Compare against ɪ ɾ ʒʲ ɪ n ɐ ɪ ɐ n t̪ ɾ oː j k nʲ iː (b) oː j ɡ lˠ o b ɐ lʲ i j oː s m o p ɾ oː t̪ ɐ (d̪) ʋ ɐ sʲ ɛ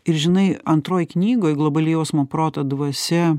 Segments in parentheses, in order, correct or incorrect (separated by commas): incorrect, correct